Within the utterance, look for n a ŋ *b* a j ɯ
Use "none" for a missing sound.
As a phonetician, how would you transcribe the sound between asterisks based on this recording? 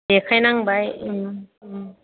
b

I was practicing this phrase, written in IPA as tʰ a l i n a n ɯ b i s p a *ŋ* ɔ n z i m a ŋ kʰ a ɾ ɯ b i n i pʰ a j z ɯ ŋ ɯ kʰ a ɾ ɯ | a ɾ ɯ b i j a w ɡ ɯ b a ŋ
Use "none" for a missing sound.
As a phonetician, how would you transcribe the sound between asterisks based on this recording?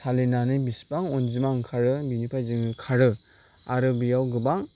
ŋ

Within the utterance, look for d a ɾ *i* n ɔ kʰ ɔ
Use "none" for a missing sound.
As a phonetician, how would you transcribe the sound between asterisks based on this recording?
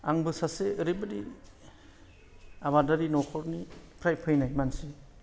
i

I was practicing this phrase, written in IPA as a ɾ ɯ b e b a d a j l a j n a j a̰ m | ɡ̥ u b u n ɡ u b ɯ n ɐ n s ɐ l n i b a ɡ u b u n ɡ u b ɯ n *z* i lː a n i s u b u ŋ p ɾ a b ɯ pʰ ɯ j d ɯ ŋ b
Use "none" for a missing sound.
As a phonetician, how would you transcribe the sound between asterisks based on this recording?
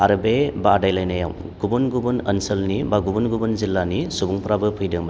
z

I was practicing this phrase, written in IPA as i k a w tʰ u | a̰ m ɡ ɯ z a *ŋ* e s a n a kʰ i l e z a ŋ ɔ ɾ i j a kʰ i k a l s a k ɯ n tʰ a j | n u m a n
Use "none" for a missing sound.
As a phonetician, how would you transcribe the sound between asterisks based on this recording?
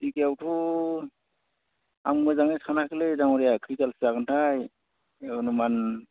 ŋ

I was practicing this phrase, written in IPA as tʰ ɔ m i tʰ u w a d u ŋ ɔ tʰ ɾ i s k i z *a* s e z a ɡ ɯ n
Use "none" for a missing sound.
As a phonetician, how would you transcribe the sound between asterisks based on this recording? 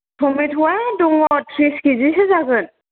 i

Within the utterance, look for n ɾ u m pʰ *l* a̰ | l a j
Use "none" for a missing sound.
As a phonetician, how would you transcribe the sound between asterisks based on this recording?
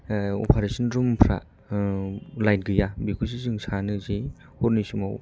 ɾ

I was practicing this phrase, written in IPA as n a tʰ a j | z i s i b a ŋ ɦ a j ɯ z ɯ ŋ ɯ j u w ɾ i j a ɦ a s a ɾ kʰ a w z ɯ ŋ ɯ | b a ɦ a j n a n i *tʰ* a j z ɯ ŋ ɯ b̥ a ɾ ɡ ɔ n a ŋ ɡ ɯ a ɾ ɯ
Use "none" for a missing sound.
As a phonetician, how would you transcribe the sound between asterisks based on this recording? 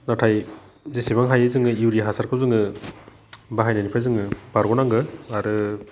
pʰ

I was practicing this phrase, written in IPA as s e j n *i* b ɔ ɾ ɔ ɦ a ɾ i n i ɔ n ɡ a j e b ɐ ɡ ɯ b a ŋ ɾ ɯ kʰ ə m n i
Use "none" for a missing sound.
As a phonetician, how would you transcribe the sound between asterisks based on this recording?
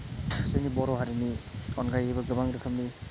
i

